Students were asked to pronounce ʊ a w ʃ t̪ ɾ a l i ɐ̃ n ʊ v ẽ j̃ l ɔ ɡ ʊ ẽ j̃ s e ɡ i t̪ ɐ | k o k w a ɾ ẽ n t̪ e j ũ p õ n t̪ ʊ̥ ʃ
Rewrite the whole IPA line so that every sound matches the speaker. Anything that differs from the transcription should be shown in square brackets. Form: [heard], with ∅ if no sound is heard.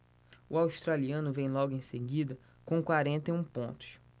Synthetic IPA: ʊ a w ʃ t̪ ɾ a l i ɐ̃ n ʊ v ẽ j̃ l ɔ ɡ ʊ ẽ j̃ s e ɡ i [d̪] ɐ | k [õ] k w a ɾ ẽ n t̪ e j ũ p õ n t̪ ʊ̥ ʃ

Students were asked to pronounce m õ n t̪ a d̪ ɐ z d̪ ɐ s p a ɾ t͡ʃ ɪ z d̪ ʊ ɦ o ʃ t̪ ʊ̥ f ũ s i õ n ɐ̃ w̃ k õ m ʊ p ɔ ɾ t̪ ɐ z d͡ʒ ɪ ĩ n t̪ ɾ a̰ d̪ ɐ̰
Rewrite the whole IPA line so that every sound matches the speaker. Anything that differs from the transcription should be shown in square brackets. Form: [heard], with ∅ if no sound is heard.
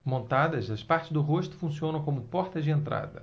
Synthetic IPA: m õ n t̪ a d̪ ɐ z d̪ ɐ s p a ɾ t͡ʃ ɪ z d̪ ʊ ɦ o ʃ t̪ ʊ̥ f ũ s i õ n ɐ̃ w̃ k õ m ʊ p ɔ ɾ t̪ ɐ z d͡ʒ ɪ [ẽ] n t̪ ɾ a̰ d̪ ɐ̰

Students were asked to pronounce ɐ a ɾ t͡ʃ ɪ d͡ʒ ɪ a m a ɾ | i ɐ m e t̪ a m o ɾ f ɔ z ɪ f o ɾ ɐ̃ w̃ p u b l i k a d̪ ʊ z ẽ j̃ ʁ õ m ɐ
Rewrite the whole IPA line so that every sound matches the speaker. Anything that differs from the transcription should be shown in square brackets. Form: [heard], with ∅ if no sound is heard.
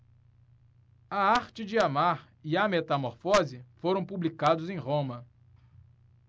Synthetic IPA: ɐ a ɾ t͡ʃ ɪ d͡ʒ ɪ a m a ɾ | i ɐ m e t̪ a m o ɾ f ɔ z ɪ f o ɾ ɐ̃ w̃ p u b l i k a d̪ ʊ z ẽ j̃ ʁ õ m ɐ

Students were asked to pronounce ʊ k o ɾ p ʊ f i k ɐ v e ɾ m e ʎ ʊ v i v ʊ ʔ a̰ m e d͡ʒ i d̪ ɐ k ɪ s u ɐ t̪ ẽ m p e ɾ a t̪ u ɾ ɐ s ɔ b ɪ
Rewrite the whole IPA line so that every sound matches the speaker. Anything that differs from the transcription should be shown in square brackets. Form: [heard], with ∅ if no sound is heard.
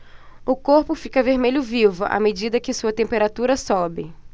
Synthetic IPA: ʊ k o ɾ p ʊ f i k ɐ v e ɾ m e ʎ ʊ v i v ʊ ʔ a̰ m e d͡ʒ i d̪ ɐ k ɪ s u ɐ t̪ ẽ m p e ɾ a t̪ u ɾ ɐ s ɔ b ɪ

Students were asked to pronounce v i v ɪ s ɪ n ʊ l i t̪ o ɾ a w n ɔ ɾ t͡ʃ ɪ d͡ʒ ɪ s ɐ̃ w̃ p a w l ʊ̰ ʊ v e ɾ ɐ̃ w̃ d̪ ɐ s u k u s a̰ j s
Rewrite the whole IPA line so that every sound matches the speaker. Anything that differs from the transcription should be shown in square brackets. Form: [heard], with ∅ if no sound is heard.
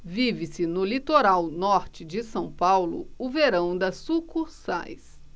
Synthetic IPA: v i v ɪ s ɪ n ʊ l i t̪ o ɾ a w n ɔ ɾ t͡ʃ ɪ d͡ʒ ɪ s ɐ̃ w̃ p a w l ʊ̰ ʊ v e ɾ ɐ̃ w̃ d̪ ɐ s u k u s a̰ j s

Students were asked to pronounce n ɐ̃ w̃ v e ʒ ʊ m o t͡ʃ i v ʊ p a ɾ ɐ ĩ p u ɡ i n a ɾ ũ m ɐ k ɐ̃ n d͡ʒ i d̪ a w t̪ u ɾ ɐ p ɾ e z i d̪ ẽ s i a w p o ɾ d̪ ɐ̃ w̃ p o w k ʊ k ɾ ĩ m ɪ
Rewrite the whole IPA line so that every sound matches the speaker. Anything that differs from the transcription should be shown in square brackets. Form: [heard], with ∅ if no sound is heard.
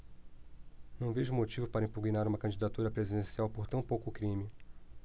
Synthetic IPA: n ɐ̃ w̃ v e ʒ ʊ m o t͡ʃ i v ʊ p a ɾ ɐ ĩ p u ɡ i n a ɾ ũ m ɐ k ɐ̃ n d͡ʒ i d̪ a [∅] t̪ u ɾ ɐ p ɾ e z i d̪ ẽ s i a w p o ɾ [t̪] ɐ̃ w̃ p o w k ʊ k ɾ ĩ m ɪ

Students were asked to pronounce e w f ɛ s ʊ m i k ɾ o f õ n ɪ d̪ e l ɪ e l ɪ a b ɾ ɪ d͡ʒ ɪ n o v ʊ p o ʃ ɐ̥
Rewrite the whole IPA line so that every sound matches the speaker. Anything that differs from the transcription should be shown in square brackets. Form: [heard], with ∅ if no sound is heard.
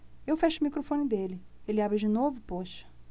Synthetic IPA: e w f ɛ [ʃ] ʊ m i k ɾ o f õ n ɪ d̪ e l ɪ e l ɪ a b ɾ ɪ d͡ʒ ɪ n o v ʊ p o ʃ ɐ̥

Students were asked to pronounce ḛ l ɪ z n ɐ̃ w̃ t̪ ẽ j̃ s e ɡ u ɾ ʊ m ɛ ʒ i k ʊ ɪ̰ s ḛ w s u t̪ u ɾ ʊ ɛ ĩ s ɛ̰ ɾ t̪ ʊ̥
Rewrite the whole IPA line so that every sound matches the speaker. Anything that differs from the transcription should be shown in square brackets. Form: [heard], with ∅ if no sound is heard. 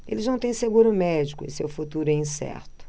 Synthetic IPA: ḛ l ɪ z n ɐ̃ w̃ t̪ ẽ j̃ s e ɡ u ɾ ʊ m ɛ [d͡ʒ] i k ʊ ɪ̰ s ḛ w [f] u t̪ u ɾ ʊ ɛ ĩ s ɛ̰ ɾ t̪ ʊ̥

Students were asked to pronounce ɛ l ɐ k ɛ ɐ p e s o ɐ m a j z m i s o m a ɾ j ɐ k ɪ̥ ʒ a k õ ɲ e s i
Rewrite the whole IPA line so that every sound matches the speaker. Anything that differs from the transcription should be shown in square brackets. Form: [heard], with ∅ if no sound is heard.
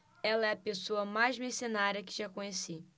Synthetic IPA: ɛ l ɐ [∅] ɛ ɐ p e s o ɐ m a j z m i s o [n] a ɾ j ɐ k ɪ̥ ʒ a k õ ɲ e s i

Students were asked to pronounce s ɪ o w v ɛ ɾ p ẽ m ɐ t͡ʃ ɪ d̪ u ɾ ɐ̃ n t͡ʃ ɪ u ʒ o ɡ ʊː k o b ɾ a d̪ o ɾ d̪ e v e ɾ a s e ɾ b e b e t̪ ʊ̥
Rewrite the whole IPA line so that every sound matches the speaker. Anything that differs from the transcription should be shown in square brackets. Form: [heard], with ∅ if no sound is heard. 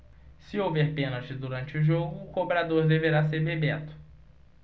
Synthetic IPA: s ɪ o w v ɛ ɾ p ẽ [n] ɐ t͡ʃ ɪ d̪ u ɾ ɐ̃ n t͡ʃ ɪ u ʒ o ɡ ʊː k o b ɾ a d̪ o ɾ d̪ e v e ɾ a s e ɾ b e b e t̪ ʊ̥

